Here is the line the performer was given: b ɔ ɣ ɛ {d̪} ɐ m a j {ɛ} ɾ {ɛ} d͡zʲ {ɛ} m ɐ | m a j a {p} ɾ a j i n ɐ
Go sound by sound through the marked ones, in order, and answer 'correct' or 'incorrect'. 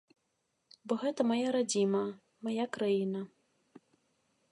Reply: incorrect, incorrect, incorrect, incorrect, incorrect

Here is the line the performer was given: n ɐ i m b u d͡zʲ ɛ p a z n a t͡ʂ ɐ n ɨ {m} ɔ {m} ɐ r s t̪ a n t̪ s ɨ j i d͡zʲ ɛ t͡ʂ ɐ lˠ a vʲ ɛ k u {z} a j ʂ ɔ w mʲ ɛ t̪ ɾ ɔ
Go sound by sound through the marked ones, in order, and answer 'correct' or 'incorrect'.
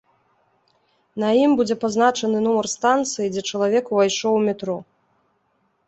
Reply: incorrect, correct, incorrect

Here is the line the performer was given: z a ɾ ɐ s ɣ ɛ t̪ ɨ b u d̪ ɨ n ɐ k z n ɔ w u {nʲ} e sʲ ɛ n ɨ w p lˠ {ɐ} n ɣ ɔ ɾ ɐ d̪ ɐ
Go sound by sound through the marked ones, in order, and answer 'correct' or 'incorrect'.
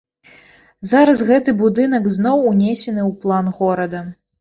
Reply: correct, incorrect

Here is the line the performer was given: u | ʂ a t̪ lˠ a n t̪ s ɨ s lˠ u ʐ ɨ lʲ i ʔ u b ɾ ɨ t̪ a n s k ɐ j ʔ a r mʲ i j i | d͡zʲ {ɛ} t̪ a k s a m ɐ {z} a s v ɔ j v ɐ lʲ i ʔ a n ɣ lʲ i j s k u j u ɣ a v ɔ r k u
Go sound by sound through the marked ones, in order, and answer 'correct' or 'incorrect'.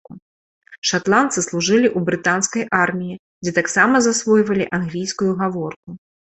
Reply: correct, correct

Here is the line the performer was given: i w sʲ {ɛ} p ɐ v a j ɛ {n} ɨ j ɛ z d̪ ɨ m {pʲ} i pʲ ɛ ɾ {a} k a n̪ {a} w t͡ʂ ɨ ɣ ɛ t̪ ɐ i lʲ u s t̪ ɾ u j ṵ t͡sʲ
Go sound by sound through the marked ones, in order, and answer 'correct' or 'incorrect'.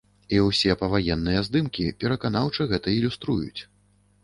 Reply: correct, incorrect, incorrect, incorrect, correct

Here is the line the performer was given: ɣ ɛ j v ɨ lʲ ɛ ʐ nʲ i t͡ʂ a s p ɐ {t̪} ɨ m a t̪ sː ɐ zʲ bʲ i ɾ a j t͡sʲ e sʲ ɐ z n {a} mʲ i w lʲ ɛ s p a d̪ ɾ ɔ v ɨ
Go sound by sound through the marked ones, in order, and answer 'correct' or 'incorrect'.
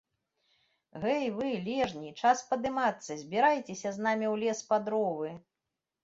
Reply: incorrect, correct

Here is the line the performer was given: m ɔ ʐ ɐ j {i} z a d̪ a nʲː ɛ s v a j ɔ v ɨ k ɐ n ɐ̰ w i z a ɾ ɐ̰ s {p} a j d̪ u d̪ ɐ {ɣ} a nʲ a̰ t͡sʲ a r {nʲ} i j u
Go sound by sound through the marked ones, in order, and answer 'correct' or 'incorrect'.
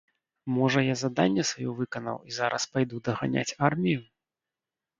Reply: incorrect, correct, correct, incorrect

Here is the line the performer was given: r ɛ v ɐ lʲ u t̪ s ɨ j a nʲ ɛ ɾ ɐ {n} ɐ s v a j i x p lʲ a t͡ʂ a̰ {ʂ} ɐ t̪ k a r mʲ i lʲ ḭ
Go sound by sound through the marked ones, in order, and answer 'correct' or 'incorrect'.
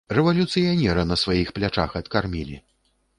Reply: correct, incorrect

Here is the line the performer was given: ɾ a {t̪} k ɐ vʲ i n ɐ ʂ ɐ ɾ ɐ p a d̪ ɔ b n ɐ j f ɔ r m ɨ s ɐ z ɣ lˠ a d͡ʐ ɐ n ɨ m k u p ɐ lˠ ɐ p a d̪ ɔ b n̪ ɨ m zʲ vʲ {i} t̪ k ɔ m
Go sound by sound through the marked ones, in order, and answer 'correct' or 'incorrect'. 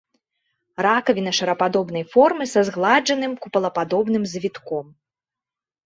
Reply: incorrect, correct

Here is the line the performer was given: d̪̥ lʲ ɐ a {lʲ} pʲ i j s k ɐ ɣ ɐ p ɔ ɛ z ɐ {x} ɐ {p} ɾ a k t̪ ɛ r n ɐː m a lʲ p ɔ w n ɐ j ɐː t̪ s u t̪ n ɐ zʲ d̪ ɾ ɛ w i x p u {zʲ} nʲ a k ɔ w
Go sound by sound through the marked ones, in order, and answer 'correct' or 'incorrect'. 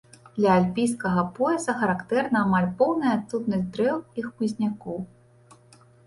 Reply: correct, correct, incorrect, correct

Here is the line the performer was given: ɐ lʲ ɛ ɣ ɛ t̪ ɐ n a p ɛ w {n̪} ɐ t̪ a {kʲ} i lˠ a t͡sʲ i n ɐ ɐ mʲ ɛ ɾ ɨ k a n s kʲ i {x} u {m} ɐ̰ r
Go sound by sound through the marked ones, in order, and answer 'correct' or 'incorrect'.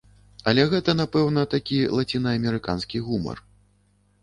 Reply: correct, correct, incorrect, correct

